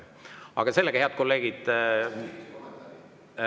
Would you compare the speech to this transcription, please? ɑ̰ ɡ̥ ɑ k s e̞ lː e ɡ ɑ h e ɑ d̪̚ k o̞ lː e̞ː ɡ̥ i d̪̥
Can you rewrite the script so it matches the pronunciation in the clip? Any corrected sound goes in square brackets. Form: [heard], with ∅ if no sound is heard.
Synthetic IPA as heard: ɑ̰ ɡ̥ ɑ [∅] s e̞ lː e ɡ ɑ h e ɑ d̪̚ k o̞ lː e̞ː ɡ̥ i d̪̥